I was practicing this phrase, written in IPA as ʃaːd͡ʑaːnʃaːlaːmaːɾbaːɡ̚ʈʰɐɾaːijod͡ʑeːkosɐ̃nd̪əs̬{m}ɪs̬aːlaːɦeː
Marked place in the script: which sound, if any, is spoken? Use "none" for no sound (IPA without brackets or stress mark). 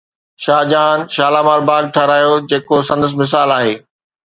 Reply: m